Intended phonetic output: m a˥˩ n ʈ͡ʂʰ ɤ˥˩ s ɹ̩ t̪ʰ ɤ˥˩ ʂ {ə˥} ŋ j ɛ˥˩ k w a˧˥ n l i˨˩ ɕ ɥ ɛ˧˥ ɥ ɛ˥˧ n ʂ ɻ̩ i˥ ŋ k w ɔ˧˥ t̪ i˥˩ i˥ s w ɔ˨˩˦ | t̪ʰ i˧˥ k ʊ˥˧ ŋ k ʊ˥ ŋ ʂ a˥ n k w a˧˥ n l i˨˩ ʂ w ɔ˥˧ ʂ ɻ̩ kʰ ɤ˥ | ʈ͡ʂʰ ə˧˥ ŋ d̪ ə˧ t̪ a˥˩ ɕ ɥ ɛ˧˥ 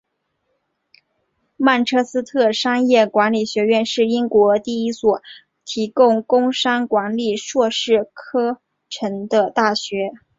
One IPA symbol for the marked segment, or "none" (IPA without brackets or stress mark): ɑ˥